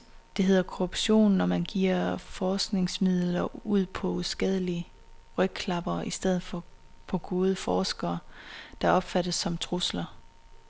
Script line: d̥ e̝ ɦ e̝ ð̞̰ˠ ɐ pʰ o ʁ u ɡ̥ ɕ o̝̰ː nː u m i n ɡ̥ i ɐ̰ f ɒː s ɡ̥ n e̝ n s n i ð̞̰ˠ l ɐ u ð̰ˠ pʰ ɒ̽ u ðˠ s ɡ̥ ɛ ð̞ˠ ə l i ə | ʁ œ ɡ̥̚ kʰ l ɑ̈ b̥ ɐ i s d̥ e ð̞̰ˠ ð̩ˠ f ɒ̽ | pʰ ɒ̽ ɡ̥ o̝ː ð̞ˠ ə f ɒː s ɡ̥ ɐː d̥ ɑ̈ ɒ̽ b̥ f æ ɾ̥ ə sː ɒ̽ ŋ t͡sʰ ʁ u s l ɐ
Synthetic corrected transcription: d̥ e̝ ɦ e̝ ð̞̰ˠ ɐ kʰ o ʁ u b̥ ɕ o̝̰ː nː ɒ m æ n ɡ̥ i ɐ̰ f ɒː s ɡ̥ n e̝ ŋ s m i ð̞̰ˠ l ɐ u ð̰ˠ pʰ ɒ̽ u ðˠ s ɡ̥ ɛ ð̞ˠ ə l i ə | ʁ œ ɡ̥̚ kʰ l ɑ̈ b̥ ɐ i s d̥ e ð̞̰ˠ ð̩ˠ f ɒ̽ | pʰ ɒ̽ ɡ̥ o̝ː ð̞ˠ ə f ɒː s ɡ̥ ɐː d̥ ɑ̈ ɒ̽ b̥ f æ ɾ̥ ə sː ɒ̽ m t͡sʰ ʁ u s l ɐ